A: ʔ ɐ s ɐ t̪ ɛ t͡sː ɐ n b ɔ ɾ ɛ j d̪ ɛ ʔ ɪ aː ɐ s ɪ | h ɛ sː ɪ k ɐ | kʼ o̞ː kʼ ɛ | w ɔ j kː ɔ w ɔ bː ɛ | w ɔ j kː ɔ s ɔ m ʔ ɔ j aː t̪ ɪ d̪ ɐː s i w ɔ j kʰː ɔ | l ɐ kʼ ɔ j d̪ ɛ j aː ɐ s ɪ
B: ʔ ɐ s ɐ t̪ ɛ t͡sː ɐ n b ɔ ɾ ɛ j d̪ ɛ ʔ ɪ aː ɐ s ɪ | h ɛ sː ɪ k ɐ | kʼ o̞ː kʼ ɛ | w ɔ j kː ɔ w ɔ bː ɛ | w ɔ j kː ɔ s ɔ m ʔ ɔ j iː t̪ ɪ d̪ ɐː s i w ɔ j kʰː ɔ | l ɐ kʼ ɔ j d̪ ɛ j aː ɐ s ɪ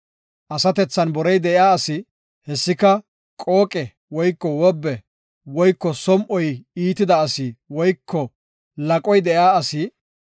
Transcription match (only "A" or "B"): B